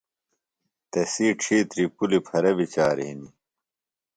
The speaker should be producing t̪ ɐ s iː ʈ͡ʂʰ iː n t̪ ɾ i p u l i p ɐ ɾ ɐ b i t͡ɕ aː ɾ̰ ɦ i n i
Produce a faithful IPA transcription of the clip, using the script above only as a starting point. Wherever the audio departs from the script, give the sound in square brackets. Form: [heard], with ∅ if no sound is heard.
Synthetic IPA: t̪ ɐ s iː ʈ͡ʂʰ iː [∅] t̪ ɾ i p u l i [pʰ] ɐ ɾ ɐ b i t͡ɕ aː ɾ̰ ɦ i n i